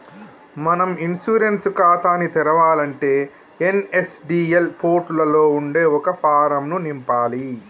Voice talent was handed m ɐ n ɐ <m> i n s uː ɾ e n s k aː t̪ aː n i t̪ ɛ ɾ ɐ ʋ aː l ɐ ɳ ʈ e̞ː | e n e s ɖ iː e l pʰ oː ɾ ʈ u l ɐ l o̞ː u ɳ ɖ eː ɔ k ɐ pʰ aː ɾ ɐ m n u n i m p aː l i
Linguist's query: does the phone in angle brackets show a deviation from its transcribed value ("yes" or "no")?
no